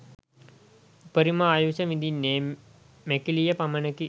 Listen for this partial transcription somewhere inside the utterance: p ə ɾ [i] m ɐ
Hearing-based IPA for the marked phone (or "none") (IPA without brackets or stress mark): i